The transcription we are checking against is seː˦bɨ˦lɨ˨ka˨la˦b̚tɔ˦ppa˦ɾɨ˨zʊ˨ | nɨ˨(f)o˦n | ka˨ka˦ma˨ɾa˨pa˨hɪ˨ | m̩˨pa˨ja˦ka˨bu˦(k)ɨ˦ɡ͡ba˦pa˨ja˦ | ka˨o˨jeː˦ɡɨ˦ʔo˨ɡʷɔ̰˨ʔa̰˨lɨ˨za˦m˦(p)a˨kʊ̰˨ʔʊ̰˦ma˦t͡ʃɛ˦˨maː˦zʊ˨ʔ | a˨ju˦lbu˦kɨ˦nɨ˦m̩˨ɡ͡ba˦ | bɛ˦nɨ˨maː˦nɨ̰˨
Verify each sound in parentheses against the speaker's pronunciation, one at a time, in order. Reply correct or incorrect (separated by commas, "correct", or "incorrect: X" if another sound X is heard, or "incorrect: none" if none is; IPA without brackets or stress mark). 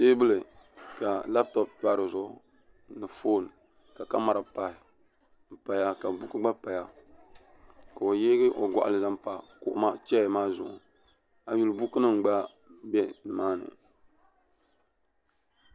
correct, correct, correct